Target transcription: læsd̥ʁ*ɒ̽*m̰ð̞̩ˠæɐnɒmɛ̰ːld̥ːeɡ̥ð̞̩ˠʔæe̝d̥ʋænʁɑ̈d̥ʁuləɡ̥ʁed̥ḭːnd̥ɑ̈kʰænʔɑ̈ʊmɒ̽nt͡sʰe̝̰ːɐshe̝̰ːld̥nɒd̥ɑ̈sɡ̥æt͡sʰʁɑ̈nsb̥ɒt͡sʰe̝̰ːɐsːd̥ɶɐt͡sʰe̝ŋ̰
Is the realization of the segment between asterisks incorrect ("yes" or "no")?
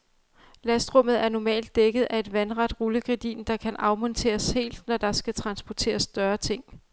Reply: yes